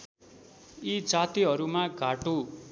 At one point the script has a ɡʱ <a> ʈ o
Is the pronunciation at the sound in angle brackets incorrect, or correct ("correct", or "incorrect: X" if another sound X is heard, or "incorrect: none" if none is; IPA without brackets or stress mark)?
correct